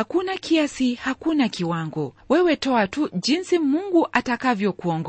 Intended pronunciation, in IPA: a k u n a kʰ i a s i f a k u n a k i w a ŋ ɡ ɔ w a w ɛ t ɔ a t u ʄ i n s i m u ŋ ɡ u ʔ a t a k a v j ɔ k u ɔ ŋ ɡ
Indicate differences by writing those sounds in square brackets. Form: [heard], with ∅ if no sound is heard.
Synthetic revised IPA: a k u n a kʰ i a s i [h] a k u n a k i w a ŋ ɡ ɔ w [ɛ] w ɛ t ɔ a t u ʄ i n s i m u ŋ ɡ u ʔ a t a k a v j ɔ k u ɔ ŋ ɡ